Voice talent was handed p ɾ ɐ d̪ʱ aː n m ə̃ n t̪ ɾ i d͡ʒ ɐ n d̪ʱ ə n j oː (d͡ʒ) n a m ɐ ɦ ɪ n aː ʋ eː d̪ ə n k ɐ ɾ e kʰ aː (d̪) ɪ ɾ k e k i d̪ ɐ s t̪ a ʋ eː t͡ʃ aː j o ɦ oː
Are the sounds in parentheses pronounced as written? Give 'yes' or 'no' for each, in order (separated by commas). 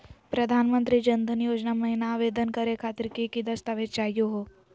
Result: yes, no